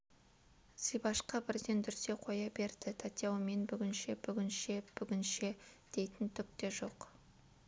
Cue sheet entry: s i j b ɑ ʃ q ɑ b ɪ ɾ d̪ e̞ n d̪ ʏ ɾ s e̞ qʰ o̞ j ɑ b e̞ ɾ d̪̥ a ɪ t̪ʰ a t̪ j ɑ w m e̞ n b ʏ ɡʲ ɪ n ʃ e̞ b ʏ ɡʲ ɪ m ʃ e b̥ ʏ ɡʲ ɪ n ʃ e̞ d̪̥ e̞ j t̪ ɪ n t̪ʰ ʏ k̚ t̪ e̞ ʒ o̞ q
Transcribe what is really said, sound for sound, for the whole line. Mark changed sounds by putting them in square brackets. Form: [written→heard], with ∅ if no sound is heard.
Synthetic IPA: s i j b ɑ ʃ q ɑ b ɪ ɾ d̪ e̞ n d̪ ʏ ɾ s e̞ qʰ o̞ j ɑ b e̞ ɾ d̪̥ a ɪ t̪ʰ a t̪ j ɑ w m e̞ n b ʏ ɡʲ ɪ n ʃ e̞ b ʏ ɡʲ ɪ [m→n] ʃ e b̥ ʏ ɡʲ ɪ n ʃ e̞ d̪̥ e̞ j t̪ ɪ n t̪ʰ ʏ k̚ t̪ e̞ ʒ o̞ q